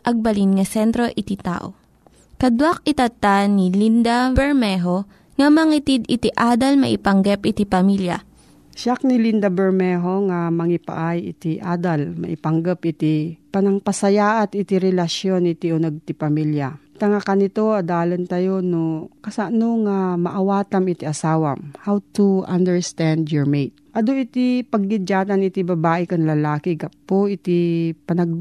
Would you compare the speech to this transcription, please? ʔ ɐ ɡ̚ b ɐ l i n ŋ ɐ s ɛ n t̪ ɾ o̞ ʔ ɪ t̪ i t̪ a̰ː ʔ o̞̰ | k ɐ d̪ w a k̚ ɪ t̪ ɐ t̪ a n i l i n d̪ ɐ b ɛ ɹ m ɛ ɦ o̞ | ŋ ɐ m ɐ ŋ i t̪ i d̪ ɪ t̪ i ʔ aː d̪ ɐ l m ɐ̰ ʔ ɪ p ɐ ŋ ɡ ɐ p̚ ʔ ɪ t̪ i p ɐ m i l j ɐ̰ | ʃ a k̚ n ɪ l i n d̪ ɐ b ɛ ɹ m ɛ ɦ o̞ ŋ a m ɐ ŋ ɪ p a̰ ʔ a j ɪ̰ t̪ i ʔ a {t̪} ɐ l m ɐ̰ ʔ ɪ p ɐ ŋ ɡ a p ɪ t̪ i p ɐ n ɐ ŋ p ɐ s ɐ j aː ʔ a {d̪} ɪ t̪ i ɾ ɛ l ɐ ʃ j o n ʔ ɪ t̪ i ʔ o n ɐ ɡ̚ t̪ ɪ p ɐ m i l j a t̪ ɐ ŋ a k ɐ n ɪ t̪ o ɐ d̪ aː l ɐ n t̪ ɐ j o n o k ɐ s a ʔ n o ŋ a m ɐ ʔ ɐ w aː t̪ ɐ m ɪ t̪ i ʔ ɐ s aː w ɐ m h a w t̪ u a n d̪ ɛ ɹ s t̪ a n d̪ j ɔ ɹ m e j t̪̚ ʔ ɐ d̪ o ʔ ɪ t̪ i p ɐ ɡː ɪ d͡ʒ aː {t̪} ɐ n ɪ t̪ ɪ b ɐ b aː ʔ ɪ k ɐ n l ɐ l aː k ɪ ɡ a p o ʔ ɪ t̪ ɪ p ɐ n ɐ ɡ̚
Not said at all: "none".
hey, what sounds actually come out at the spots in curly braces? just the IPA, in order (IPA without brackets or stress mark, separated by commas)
d̪, t̪, t̪